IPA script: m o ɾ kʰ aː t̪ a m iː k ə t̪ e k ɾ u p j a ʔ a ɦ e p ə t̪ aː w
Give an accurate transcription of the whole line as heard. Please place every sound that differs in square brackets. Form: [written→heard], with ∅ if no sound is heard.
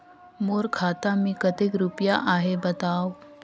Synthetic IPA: m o ɾ kʰ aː t̪ a m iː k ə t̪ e k ɾ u p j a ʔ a ɦ e [p→b] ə t̪ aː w

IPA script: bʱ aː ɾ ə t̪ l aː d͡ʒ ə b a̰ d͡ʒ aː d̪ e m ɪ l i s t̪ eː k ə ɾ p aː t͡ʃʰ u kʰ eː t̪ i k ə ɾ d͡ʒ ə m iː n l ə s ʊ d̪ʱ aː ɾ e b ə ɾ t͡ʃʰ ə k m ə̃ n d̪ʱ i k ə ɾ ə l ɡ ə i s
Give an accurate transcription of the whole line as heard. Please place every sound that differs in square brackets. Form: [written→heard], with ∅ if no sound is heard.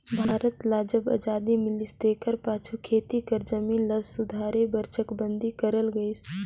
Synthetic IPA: bʱ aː ɾ ə t̪ l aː d͡ʒ ə b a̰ d͡ʒ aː d̪ [e→i] m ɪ l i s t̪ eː k ə ɾ p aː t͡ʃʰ u kʰ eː t̪ i k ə ɾ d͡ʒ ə m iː n l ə s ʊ d̪ʱ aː ɾ e b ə ɾ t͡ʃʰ ə k [m→b] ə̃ n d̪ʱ i k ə ɾ ə l ɡ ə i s

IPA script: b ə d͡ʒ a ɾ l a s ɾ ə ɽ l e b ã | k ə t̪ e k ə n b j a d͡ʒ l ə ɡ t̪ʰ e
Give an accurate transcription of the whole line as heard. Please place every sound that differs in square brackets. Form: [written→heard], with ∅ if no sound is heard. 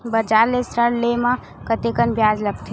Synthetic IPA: b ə d͡ʒ a ɾ l [a→e] s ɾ ə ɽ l e [b→m] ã | k ə t̪ e k ə n b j a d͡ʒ l ə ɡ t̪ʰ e

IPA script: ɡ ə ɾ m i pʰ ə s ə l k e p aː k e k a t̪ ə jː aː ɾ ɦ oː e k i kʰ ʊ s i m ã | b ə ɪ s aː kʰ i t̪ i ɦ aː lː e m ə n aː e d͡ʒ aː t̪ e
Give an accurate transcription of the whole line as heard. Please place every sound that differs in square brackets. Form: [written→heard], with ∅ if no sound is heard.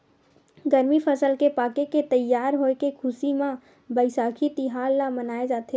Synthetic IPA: ɡ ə ɾ m i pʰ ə s ə l k e p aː k e k [a→e] t̪ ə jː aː ɾ ɦ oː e k [i→e] kʰ ʊ s i m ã | b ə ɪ s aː kʰ i t̪ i ɦ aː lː [e→a] m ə n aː e d͡ʒ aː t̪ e

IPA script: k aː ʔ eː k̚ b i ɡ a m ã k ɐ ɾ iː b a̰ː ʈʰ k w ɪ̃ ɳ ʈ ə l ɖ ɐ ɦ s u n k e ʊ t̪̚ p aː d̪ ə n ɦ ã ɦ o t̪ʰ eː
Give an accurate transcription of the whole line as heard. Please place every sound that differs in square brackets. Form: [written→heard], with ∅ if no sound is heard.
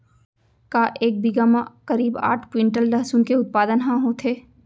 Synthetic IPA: k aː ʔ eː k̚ b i ɡ a m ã k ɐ ɾ iː b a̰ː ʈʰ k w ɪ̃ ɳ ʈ ə l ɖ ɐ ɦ s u n k e ʊ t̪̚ p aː d̪ ə n ɦ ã ɦ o t̪ʰ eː

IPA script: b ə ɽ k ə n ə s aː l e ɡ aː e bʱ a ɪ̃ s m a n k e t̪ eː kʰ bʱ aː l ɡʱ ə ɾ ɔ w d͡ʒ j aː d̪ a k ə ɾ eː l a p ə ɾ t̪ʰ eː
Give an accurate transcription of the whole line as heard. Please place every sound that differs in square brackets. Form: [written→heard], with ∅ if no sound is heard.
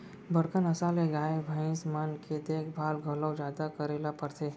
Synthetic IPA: b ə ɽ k ə n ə s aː l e ɡ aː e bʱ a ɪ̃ s m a n k e [t̪→d̪] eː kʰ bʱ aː l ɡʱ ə [ɾ→l] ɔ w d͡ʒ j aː d̪ a k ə ɾ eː l a p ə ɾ t̪ʰ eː

